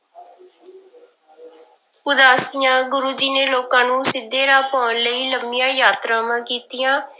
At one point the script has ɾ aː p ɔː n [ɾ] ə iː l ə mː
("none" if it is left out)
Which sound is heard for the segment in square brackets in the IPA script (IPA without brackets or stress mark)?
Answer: l